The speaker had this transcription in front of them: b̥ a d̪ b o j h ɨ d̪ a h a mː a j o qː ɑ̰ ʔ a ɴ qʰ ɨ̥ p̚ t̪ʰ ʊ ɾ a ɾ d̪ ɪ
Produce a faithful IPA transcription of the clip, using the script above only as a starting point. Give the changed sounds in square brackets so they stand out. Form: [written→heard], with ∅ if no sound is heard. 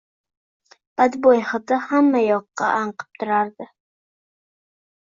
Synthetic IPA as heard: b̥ a d̪ b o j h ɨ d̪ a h a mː a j [o→ɒ] qː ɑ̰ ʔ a ɴ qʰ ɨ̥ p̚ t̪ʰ ʊ ɾ a ɾ d̪ ɪ